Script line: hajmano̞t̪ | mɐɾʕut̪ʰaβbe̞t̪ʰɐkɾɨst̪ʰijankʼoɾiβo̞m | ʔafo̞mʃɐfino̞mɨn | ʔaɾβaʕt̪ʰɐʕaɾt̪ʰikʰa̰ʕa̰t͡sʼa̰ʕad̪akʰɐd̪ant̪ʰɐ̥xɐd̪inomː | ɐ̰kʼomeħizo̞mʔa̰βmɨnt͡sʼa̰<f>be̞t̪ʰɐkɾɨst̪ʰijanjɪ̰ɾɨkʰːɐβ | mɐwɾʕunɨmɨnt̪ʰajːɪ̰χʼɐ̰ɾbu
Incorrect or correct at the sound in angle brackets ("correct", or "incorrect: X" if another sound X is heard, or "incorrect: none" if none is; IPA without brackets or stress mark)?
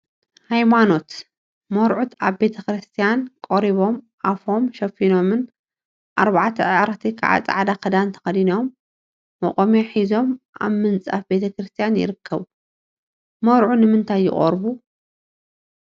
correct